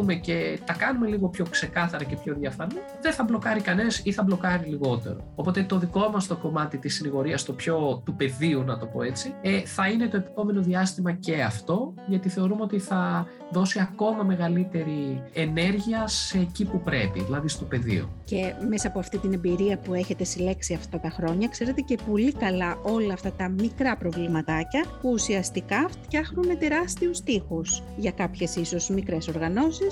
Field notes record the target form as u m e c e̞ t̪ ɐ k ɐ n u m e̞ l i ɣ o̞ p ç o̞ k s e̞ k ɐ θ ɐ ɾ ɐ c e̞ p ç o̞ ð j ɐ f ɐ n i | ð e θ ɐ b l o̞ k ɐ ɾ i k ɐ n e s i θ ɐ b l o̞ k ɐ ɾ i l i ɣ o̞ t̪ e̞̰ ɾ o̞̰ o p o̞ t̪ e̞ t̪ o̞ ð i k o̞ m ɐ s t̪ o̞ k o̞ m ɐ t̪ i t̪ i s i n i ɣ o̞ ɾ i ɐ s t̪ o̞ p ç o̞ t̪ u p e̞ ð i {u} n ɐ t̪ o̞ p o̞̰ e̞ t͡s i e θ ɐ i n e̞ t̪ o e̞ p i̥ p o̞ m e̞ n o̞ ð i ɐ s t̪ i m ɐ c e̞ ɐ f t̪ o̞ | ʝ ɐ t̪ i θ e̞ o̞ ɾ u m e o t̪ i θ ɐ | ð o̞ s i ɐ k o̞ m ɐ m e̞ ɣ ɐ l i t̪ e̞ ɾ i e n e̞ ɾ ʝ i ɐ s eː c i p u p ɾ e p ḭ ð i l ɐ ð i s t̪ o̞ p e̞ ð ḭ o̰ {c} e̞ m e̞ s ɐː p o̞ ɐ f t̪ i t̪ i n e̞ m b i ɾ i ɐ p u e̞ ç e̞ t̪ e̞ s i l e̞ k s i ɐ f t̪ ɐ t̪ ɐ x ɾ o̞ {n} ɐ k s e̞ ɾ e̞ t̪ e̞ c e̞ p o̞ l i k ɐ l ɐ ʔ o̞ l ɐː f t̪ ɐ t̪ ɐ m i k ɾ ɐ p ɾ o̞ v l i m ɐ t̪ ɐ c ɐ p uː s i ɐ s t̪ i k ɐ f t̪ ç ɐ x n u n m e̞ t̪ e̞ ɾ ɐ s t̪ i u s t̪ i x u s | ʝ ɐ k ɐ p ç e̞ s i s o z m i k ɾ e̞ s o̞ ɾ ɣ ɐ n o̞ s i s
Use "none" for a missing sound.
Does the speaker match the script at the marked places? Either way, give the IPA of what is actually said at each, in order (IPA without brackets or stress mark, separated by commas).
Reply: u, c, ɲ